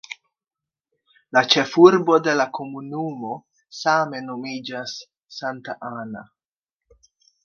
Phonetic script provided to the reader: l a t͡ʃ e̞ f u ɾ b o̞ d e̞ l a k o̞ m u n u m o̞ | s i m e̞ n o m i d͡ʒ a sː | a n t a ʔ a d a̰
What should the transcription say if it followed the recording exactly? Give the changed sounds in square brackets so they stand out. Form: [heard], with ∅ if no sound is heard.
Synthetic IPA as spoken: l a t͡ʃ e̞ f u ɾ b o̞ d e̞ l a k o̞ m u n u m o̞ | s [a] m e̞ n o m i d͡ʒ a sː | a n t a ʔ a [n] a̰